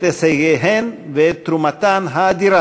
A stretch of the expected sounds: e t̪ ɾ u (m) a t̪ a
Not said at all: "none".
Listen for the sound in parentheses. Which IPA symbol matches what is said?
m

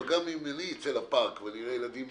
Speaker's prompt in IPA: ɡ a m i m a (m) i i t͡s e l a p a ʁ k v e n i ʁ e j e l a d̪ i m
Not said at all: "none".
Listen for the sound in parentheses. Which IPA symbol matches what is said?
n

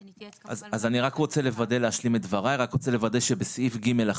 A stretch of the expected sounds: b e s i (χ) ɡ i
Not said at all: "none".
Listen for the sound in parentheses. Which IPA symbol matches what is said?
f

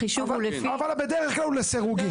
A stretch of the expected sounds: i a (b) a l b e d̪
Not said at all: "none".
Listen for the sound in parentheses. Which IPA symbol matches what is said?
v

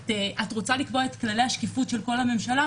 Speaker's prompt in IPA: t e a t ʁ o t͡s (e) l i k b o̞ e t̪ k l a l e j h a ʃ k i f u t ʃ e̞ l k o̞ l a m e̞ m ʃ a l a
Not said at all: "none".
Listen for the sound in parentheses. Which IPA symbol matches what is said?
a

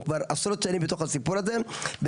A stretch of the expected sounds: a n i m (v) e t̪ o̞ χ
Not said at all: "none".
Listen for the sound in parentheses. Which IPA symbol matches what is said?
b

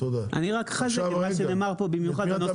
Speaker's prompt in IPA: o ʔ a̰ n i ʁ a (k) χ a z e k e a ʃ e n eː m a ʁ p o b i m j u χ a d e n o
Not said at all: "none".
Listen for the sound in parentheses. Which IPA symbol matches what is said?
k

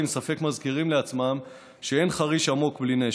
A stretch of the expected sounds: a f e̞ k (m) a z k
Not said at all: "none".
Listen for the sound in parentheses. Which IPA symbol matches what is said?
m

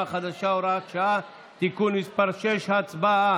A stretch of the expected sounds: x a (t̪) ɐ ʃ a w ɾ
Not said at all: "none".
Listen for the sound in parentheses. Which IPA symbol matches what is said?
d̪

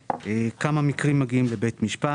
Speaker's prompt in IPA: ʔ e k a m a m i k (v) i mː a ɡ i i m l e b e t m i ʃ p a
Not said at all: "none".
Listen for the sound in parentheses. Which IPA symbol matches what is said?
ʁ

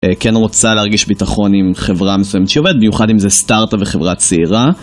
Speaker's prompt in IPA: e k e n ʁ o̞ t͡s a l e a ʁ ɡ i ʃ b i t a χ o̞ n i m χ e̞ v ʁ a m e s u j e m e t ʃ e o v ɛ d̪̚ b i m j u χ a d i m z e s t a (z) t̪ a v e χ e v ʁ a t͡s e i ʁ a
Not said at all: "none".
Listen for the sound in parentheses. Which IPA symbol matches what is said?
ʁ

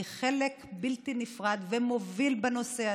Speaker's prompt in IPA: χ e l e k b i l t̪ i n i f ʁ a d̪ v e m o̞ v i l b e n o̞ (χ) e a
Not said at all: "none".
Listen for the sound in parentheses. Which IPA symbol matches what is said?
s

